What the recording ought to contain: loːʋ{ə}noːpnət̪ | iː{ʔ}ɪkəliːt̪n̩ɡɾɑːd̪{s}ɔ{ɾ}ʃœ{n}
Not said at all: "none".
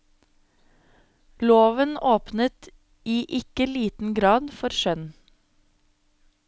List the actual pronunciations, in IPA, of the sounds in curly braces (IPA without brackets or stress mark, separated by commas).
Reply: ə, ʔ, f, ɾ, n